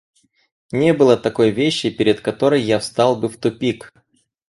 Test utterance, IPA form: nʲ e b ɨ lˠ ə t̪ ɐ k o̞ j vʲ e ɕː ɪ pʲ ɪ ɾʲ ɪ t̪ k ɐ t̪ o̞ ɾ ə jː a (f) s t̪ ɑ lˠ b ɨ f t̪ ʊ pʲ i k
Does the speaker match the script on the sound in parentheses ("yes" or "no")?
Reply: yes